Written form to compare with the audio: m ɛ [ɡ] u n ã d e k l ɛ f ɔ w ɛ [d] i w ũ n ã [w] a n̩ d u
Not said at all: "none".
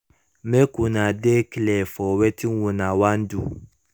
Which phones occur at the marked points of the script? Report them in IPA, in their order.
k, t, w

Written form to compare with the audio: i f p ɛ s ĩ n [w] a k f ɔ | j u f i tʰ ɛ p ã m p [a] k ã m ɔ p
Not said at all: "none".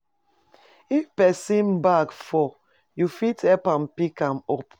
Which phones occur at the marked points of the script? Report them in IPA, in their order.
b, i

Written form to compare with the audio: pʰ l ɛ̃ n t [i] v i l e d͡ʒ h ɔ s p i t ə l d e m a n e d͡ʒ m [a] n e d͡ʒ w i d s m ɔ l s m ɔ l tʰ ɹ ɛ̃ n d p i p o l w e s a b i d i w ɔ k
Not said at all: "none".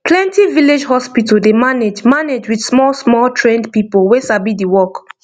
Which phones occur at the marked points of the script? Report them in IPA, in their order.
i, a

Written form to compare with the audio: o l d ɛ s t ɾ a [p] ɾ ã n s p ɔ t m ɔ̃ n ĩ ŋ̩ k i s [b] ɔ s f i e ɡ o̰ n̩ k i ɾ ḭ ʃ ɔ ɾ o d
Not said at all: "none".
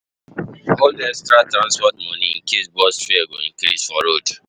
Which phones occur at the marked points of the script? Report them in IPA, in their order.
t, b

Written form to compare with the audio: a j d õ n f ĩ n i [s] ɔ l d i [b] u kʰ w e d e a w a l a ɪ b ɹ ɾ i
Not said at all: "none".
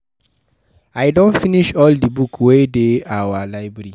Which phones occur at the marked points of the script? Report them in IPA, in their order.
ʃ, b

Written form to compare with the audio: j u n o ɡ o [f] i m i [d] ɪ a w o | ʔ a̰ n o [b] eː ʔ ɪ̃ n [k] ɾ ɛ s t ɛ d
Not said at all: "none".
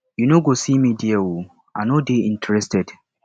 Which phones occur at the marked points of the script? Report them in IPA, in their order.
s, d, d, t

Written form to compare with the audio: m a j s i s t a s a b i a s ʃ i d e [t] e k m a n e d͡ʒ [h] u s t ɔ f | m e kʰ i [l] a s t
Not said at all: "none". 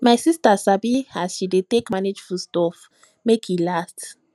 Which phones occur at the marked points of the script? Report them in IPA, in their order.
t, f, l

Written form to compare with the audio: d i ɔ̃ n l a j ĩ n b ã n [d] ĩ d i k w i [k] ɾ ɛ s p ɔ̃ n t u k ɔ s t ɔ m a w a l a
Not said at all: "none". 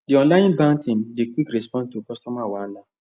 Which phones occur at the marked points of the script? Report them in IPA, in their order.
t, k

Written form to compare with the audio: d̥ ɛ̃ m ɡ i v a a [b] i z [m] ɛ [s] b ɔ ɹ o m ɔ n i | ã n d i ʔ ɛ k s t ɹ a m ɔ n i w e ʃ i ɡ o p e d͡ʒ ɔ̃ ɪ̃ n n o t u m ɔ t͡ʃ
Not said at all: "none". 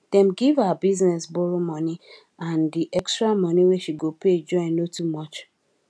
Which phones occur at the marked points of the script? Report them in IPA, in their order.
b, n, s

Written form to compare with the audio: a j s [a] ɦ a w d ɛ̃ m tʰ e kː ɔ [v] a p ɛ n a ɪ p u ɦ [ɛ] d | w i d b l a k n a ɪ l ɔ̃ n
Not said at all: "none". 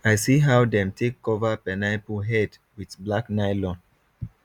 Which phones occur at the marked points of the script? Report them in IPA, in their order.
i, v, ɛ

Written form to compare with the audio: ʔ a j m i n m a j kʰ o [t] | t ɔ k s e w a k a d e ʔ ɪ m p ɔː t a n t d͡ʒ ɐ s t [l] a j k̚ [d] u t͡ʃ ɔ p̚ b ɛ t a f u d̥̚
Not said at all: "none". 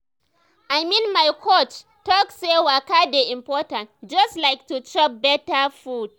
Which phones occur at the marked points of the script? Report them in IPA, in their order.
t͡ʃ, l, t

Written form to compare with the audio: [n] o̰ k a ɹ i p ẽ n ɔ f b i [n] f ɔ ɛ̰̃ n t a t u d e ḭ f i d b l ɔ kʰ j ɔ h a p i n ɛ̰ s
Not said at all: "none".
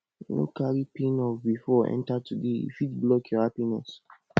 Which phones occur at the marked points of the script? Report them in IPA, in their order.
n, none

